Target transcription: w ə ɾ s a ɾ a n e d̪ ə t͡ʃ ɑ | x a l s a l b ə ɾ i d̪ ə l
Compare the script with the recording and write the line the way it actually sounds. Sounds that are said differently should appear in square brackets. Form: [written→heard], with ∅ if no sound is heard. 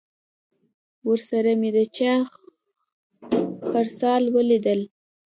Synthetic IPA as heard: w ə ɾ s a ɾ a [n→m] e d̪ ə t͡ʃ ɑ | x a [l→ɾ] s [a→ɑ] l [b→w] ə [ɾ→l] i d̪ ə l